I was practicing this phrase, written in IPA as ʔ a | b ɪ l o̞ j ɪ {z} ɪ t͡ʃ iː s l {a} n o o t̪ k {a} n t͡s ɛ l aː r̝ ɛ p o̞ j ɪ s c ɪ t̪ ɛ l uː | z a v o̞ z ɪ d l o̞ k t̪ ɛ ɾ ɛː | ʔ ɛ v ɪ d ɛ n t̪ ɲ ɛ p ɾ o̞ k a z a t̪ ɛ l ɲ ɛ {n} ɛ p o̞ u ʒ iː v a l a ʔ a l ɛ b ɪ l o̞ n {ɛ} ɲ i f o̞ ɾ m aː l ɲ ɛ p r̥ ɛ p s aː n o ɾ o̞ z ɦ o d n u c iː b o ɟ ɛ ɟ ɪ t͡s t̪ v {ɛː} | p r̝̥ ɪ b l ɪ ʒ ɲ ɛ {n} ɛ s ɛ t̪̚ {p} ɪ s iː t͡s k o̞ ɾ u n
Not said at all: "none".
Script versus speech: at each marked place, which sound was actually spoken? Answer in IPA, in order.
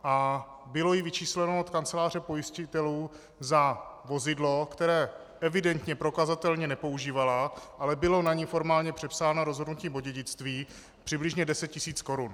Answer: v, ɛ, a, n, a, iː, d, c

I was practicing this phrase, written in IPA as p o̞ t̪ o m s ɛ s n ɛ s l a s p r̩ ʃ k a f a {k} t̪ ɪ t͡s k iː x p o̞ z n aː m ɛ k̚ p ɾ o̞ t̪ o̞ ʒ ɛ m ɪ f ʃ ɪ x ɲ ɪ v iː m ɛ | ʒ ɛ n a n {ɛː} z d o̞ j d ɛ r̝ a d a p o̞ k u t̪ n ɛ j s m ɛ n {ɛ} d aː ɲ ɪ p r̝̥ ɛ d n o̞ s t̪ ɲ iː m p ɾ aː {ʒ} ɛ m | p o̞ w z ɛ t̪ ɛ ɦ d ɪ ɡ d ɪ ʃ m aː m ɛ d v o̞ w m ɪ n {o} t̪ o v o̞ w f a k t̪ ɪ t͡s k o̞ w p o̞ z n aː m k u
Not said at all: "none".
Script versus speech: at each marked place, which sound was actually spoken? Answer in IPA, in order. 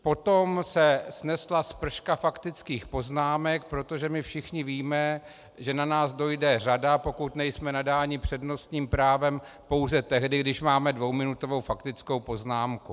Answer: k, aː, a, v, u

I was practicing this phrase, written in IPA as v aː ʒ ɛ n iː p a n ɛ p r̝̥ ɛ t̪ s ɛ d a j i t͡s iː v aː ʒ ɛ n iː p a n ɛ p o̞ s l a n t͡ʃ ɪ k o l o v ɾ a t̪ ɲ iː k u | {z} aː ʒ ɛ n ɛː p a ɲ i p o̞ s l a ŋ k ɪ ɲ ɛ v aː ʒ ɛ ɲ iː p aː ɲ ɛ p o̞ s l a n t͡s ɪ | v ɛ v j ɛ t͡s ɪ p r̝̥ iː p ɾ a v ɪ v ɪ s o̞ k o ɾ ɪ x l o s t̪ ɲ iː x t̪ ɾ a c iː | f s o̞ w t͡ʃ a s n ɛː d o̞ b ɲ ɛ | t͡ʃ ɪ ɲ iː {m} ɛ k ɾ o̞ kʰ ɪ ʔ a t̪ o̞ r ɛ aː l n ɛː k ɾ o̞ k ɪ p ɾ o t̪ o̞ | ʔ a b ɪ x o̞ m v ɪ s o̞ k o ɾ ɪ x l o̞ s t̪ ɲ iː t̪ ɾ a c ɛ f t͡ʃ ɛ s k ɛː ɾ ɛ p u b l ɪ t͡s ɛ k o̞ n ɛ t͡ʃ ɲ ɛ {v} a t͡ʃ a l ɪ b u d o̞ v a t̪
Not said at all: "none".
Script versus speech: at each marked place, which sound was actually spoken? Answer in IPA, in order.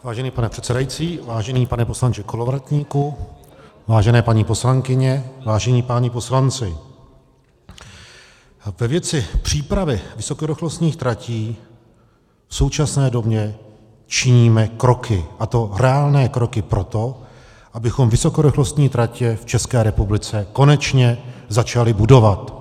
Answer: v, m, z

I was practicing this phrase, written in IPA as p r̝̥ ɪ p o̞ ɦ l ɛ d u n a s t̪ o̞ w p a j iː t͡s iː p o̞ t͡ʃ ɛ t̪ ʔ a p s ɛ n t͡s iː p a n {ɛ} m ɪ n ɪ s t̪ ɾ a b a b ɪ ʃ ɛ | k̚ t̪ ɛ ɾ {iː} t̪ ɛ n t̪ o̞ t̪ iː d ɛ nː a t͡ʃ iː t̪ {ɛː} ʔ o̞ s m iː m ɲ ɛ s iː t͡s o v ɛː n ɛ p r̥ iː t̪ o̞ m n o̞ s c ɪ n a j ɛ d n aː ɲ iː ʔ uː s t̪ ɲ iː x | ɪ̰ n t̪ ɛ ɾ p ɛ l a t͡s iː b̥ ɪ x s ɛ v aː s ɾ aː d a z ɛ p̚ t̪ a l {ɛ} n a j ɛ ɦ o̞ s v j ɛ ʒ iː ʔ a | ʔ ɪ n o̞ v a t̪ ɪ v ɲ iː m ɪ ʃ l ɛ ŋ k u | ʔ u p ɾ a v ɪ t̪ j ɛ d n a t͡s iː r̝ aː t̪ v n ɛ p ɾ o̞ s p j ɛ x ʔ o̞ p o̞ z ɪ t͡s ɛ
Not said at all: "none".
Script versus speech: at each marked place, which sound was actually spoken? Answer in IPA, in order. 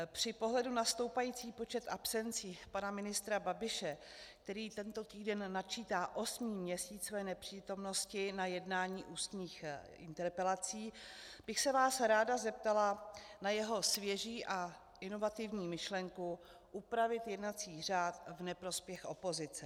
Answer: a, iː, aː, a

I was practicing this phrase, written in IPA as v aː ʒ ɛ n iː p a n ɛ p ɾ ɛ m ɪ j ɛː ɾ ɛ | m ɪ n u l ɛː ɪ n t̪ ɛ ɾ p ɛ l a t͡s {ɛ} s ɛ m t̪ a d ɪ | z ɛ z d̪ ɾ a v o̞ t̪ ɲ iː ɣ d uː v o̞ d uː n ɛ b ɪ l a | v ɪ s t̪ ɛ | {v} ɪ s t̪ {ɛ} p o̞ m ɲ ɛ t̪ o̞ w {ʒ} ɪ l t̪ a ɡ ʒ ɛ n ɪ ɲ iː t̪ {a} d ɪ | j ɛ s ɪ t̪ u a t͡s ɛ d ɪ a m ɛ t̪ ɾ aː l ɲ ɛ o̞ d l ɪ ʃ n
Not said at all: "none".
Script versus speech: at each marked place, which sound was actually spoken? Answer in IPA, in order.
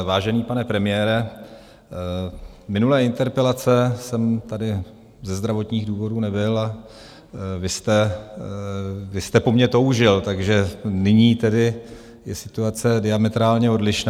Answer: ɛ, v, ɛ, ʒ, ɛ

